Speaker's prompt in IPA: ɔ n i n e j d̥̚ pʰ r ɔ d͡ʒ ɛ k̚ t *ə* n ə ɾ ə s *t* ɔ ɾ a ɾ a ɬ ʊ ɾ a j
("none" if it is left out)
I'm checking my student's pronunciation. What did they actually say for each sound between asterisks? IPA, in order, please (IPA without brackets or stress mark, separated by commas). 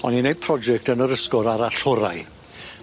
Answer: ə, k